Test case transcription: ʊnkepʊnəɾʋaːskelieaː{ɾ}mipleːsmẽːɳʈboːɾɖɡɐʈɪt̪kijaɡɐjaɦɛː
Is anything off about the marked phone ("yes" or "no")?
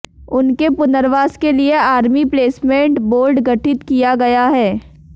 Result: no